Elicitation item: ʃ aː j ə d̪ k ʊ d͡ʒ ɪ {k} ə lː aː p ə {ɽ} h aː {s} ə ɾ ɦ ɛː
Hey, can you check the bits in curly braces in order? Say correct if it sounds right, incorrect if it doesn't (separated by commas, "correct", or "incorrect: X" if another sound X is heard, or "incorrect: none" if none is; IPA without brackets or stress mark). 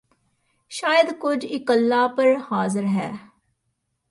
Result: correct, incorrect: ɾ, incorrect: z